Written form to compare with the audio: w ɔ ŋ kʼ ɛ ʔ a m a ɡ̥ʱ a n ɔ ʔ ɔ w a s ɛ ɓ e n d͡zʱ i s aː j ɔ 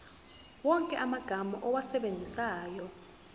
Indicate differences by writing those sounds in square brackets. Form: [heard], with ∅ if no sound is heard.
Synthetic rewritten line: w ɔ ŋ kʼ ɛ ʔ a m a ɡ̥ʱ a [m] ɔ ʔ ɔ w a s ɛ ɓ e n d͡zʱ i s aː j ɔ